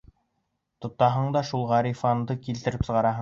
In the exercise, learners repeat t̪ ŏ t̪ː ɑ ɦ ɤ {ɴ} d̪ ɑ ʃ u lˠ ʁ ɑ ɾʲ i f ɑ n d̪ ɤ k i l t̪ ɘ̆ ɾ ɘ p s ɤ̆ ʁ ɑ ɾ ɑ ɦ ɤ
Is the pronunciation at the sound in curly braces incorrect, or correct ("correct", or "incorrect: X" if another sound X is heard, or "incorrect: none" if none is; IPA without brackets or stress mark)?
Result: correct